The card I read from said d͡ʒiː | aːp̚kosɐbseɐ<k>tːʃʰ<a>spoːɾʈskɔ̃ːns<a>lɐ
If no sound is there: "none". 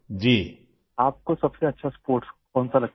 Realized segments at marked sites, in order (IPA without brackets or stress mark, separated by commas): none, a, a